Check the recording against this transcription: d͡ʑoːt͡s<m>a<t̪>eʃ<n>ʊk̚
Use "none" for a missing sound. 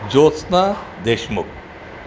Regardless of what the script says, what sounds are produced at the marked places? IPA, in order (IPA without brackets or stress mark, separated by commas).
n, d̪, m